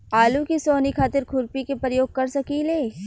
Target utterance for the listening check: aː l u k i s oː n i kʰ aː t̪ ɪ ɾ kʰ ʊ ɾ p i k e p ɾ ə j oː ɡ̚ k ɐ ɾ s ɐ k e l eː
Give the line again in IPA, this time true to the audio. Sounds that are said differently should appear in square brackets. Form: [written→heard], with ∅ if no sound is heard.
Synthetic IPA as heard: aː l u k i s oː n i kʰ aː t̪ ɪ ɾ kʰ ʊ ɾ p i k e p ɾ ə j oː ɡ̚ k ɐ ɾ s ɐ k [e→i] l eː